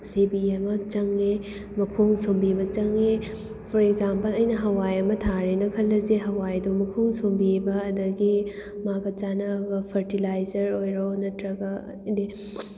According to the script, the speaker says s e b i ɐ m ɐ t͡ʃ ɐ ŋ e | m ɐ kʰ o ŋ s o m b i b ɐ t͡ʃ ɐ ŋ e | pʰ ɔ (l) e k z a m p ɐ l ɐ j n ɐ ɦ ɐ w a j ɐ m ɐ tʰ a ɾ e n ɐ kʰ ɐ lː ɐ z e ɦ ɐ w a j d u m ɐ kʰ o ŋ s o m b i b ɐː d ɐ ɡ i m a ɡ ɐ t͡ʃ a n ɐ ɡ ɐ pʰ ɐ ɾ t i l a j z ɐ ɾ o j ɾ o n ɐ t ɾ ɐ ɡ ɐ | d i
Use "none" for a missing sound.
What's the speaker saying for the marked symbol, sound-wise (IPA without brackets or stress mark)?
ɾ